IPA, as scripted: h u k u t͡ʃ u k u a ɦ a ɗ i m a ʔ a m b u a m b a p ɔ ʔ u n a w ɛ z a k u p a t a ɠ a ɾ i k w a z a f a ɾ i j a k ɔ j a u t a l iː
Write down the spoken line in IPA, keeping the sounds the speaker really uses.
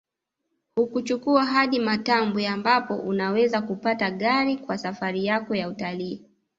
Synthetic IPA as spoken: h u k u t͡ʃ u k u a ɦ a ɗ i m a t a m b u a m b a p ɔ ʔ u n a w ɛ z a k u p a t a ɠ a ɾ i k w a s a f a ɾ i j a k ɔ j a u t a l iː

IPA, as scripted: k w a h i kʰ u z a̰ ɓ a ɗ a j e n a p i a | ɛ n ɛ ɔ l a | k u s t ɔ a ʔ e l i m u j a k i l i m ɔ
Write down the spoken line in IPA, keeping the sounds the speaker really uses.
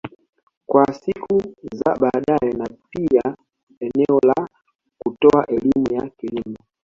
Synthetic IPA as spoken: k w a s i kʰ u z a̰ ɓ a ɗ a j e n a p i a | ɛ n ɛ ɔ l a | k u t ɔ a ʔ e l i m u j a k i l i m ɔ

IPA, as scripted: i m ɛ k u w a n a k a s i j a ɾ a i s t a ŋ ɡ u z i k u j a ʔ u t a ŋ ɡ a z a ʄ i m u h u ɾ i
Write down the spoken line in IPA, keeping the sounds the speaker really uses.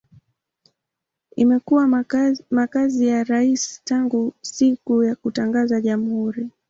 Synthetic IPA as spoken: i m ɛ k u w a m a k a z i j a ɾ a i s t a ŋ ɡ u s i k u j a k u t a ŋ ɡ a z a ʄ a m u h u ɾ i

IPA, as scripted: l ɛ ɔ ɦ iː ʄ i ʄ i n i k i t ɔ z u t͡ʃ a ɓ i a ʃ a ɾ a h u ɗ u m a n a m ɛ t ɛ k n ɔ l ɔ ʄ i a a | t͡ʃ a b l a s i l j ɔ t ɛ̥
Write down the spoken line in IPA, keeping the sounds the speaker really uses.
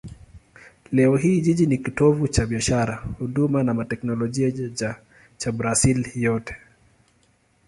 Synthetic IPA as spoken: l ɛ ɔ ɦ iː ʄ i ʄ i n i k i t ɔ v u t͡ʃ a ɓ i a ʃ a ɾ a h u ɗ u m a n a m a t ɛ k n ɔ l ɔ ʄ i a a | t͡ʃ a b ɾ a s i l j ɔ t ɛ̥

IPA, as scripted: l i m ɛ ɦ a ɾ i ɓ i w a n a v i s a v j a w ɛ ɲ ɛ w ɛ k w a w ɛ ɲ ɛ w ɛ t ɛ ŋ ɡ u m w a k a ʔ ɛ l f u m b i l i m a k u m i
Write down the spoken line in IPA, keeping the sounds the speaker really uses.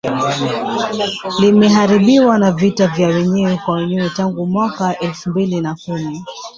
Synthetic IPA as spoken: l i m ɛ ɦ a ɾ i ɓ i w a n a v i t a v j a w ɛ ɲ ɛ w ɛ k w a w ɛ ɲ ɛ w ɛ t a ŋ ɡ u m w a k a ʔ ɛ l f u m b i l i n a k u m i

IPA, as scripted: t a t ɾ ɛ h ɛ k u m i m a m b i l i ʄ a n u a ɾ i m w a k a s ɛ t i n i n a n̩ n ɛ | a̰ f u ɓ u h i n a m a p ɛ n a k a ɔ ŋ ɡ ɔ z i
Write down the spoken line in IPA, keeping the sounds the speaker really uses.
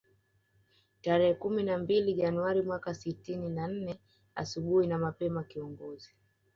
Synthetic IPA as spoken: t a ɾ ɛ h ɛ k u m i n a m b i l i ʄ a n u a ɾ i m w a k a s i t i n i n a n̩ n ɛ | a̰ s u ɓ u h i n a m a p ɛ m a k i ɔ ŋ ɡ ɔ z i

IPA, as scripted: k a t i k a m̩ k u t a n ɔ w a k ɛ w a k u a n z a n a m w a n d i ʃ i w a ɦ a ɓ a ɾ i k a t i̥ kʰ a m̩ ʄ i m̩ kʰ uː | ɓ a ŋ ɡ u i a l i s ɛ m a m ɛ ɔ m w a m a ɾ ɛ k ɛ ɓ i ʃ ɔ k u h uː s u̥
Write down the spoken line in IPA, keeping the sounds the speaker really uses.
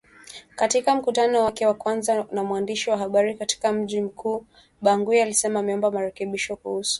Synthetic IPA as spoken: k a t i k a m̩ k u t a n ɔ w a k ɛ w a k w a n z a n a m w a n d i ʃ i w a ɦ a ɓ a ɾ i k a t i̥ k a m̩ ʄ i m̩ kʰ uː | ɓ a ŋ ɡ u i a l i s ɛ m a m ɛ ɔ m b a m a ɾ ɛ k ɛ ɓ i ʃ ɔ k u h u s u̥

